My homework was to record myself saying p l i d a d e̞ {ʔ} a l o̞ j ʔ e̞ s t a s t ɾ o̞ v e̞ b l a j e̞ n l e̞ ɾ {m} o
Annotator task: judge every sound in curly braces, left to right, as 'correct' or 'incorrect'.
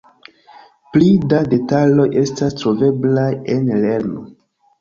incorrect, incorrect

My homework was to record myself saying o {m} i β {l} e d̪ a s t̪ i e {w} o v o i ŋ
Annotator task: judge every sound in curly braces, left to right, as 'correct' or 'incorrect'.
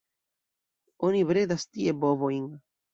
incorrect, incorrect, incorrect

